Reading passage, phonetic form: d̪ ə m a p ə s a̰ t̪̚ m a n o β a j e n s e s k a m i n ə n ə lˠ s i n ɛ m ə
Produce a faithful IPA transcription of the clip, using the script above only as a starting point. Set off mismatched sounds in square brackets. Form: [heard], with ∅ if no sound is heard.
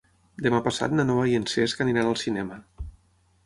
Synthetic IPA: d̪ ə m a p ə s a̰ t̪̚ [n] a n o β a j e n s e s k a [n] i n [a] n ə lˠ s i n ɛ m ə

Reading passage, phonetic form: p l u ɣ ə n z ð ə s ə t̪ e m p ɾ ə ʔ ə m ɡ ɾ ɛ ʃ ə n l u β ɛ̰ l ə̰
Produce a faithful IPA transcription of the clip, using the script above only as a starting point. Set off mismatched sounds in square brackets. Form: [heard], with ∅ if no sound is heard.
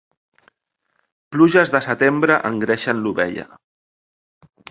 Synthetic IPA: p l u [ʒ] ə [∅] z ð ə s ə t̪ e m [b] ɾ ə ʔ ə [ŋ] ɡ ɾ ɛ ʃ ə n l u β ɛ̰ [ʎ] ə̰

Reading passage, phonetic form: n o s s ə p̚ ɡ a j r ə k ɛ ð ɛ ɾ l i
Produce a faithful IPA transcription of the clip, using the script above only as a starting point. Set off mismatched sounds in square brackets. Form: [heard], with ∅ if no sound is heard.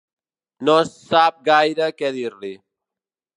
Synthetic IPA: n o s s [a] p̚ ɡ a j [ɾ] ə k ɛ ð [i] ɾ l i

